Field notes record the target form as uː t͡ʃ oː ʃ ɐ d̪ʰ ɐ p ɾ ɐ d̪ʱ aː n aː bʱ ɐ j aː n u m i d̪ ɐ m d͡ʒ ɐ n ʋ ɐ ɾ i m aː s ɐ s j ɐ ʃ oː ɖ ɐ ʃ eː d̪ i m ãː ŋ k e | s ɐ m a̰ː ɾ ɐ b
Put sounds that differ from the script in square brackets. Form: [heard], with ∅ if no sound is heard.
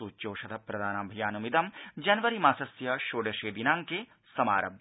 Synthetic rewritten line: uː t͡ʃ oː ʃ ɐ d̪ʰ ɐ p ɾ ɐ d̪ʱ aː n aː bʱ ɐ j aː n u m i d̪ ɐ m d͡ʒ ɐ n ʋ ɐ ɾ i m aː s ɐ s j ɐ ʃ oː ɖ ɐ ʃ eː d̪ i [n] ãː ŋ k e | s ɐ m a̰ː ɾ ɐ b